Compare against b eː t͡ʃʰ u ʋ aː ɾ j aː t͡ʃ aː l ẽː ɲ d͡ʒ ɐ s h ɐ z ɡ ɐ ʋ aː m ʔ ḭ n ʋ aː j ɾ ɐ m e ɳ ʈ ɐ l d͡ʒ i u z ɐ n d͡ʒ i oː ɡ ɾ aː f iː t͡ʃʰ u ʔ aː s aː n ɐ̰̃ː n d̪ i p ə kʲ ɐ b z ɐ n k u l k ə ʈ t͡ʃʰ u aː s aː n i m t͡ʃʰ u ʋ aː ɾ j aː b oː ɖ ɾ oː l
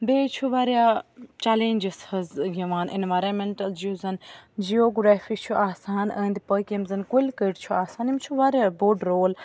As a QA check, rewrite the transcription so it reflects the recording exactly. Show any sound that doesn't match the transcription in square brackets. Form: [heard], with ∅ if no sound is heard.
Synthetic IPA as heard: b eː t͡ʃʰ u ʋ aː ɾ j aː t͡ʃ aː l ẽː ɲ d͡ʒ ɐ s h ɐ z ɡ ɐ ʋ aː [n] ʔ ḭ n ʋ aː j ɾ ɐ m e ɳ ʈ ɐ l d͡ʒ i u z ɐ n d͡ʒ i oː ɡ ɾ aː f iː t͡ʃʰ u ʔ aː s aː n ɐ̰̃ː n d̪ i p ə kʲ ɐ [m] z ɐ n k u l k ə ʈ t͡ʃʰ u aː s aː n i m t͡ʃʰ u ʋ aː ɾ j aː b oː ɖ ɾ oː l